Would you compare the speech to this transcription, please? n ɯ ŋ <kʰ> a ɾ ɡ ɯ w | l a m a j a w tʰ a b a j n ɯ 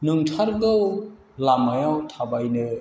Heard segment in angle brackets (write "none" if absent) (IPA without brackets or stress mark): tʰ